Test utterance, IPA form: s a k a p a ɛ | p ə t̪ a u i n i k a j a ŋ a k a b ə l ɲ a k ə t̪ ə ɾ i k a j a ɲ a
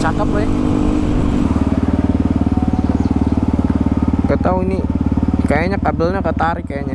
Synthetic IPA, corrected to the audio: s a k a p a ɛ | k ə t̪ a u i n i k a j a ɲ a k a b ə l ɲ a k ə t̪ a ɾ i k a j a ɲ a